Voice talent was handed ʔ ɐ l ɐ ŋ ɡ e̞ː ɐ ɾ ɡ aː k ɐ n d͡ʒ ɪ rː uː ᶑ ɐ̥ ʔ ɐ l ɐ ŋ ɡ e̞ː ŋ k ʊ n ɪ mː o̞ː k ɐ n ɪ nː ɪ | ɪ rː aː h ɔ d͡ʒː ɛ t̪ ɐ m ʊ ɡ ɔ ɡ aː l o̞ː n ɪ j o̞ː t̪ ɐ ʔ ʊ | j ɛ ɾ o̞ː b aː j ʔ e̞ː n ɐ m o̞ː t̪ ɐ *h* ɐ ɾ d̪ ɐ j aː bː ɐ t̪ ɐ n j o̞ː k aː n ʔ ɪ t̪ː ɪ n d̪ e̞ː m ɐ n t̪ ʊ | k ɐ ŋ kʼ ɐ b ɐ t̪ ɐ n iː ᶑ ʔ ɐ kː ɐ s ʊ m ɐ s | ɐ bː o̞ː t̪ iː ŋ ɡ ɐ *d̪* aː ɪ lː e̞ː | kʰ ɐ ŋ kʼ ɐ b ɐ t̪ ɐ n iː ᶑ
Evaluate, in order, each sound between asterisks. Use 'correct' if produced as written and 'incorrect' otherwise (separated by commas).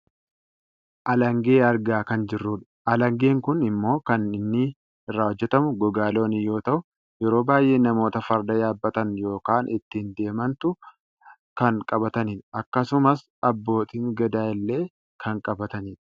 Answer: incorrect, correct